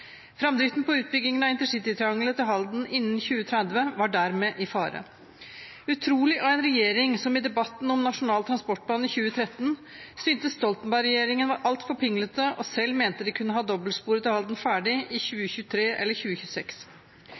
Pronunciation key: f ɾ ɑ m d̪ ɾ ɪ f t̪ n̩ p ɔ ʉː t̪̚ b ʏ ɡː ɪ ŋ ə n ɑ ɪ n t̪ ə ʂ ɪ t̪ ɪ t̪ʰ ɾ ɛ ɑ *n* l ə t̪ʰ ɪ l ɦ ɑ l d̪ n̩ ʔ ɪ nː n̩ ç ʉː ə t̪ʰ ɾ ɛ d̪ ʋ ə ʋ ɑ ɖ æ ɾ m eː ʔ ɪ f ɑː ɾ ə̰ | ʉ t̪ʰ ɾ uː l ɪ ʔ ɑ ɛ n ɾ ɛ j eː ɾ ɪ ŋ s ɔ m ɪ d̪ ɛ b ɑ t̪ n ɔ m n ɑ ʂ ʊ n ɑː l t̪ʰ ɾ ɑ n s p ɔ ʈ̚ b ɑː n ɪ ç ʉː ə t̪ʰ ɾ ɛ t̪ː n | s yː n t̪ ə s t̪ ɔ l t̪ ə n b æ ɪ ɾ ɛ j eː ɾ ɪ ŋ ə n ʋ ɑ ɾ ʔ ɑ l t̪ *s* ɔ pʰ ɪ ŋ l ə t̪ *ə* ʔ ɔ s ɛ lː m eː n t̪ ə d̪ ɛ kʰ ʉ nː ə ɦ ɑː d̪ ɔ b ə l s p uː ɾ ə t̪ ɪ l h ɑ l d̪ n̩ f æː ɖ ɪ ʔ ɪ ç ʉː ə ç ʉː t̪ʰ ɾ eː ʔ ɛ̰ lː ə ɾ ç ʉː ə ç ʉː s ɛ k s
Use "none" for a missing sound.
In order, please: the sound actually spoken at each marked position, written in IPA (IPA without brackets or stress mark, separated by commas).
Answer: ŋ, f, ə